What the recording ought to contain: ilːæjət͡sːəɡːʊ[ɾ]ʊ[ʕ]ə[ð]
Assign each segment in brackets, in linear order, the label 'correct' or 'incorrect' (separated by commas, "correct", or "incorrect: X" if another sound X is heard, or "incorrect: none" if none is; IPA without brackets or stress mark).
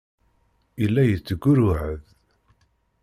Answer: correct, correct, correct